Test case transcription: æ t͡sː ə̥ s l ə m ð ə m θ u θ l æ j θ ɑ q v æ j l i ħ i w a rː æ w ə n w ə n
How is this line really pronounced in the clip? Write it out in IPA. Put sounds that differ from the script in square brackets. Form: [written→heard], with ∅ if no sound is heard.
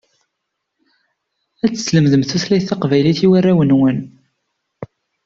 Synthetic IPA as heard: æ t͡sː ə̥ s l ə m ð ə m θ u θ l æ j θ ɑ q v æ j l i [ħ→θ] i w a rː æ w ə n w ə n

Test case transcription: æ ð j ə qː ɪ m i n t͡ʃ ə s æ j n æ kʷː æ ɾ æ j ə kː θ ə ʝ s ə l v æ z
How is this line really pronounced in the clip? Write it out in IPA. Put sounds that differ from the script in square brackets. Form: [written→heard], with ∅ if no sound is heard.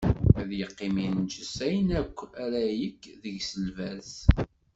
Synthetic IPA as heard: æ ð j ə qː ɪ m i n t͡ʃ ə s æ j n æ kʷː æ ɾ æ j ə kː [θ→ð] ə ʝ s ə l v æ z

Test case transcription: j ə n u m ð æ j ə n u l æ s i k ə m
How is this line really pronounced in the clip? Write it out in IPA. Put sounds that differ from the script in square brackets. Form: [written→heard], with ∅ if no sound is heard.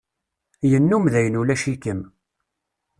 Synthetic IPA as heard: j ə [n→nː] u m ð æ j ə n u l æ [s→ʃ] i k ə m

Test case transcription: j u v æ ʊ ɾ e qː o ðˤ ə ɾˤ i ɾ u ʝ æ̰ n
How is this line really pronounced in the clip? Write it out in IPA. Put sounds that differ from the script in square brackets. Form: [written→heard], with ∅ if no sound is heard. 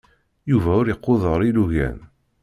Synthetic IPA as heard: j u v æ ʊ ɾ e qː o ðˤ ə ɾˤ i [ɾ→l] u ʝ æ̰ n

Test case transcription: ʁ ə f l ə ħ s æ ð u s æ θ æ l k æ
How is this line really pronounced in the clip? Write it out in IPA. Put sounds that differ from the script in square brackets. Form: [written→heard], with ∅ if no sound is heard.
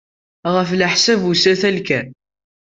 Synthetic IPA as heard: ʁ ə f l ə ħ s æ [ð→v] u s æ θ æ l k æ

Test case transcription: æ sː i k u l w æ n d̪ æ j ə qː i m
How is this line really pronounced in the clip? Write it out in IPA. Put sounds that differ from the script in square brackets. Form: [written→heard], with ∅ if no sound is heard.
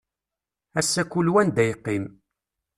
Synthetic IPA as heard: æ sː [i→æ] k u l w æ n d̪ æ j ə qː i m

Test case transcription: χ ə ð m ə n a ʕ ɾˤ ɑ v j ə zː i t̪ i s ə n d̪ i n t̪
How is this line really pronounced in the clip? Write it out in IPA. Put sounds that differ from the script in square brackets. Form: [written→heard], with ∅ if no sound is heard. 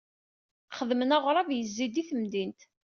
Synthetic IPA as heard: χ ə ð m ə n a [ʕ→ʁ] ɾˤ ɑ v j ə zː i [t̪→d̪] i [s→θ] ə [n→m] d̪ i n t̪

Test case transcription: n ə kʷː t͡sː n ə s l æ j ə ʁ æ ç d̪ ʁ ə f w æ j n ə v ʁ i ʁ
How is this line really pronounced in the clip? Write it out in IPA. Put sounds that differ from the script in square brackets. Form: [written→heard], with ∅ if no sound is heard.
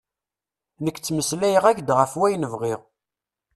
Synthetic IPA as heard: n ə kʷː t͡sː [n→m] ə s l æ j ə ʁ æ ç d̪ ʁ ə f w æ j n ə v ʁ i ʁ

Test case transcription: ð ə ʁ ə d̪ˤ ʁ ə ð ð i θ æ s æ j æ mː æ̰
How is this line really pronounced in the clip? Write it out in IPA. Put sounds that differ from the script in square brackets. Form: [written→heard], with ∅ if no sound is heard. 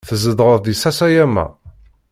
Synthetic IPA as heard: [ð→θ] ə [ʁ→z] ə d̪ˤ ʁ ə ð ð i [θ→s] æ s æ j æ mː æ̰

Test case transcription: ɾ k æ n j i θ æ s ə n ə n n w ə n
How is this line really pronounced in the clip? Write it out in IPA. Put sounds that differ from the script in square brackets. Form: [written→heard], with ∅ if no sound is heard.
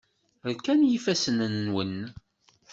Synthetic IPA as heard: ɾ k æ n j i [θ→f] æ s ə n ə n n w ə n

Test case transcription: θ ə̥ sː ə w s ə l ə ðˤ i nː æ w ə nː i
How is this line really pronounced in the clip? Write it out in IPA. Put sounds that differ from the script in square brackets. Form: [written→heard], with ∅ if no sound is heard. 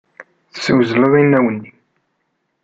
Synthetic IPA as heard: θ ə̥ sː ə w [s→z] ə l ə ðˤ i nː æ w ə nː i

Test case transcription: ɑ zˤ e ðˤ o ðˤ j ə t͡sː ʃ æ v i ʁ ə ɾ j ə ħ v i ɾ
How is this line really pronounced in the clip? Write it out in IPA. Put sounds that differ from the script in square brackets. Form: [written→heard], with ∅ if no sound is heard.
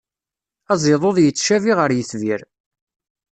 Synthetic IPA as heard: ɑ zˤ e ðˤ o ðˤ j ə t͡sː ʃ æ v i ʁ ə ɾ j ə [ħ→θ] v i ɾ

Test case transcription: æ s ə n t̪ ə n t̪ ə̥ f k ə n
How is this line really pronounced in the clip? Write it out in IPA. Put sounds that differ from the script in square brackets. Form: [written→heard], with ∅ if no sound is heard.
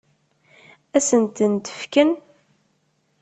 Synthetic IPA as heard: æ s ə n t̪ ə n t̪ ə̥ f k ə n

